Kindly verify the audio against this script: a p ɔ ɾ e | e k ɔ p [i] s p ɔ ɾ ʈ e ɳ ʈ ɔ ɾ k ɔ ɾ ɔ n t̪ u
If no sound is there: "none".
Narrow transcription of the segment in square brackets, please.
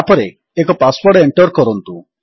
a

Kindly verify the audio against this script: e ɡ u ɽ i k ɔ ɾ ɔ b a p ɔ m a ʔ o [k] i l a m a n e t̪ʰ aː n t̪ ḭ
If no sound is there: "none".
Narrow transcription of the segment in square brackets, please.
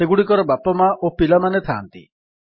p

